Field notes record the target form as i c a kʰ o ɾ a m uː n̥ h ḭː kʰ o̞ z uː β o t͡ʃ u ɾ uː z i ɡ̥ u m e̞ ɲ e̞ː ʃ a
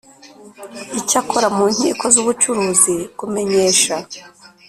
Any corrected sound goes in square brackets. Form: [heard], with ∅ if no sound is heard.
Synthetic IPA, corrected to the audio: i c a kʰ o ɾ a m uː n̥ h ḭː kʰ o̞ z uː β [u] t͡ʃ u ɾ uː z i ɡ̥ u m e̞ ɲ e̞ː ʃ a